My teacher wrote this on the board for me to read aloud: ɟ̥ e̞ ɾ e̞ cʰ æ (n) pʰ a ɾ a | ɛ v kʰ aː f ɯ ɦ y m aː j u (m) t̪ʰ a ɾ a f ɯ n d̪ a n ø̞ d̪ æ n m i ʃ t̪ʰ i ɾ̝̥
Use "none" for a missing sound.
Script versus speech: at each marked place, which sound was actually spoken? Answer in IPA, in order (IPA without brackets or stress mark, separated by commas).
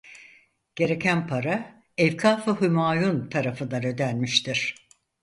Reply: n, n